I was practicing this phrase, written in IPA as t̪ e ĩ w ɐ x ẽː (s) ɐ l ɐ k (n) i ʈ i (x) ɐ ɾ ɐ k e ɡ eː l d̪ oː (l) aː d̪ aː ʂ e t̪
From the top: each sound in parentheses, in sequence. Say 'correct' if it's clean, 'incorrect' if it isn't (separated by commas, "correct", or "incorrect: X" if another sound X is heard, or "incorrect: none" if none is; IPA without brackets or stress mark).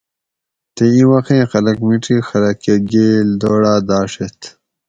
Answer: incorrect: x, incorrect: m, correct, incorrect: ɽ